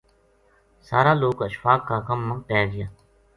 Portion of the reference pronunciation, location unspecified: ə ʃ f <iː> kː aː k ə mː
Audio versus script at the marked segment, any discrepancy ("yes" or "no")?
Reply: yes